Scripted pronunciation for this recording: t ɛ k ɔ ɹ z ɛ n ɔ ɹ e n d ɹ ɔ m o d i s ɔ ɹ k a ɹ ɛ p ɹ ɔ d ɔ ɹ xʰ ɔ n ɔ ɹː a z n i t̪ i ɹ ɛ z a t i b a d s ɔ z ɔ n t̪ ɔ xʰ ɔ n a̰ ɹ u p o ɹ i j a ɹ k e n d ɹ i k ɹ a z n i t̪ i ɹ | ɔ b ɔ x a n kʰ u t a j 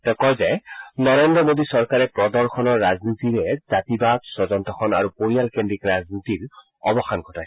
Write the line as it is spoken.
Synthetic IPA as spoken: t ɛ k ɔ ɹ z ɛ n ɔ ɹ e n d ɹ ɔ m o d i s ɔ ɹ k a ɹ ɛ p ɹ ɔ d ɔ ɹ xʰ ɔ n ɔ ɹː a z n i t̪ i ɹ ɛ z a t i b a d s ɔ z ɔ n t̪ ɔ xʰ ɔ n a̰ ɹ u p o ɹ i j a l k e n d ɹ i k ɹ a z n i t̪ i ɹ | ɔ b ɔ x a n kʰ ɔ t a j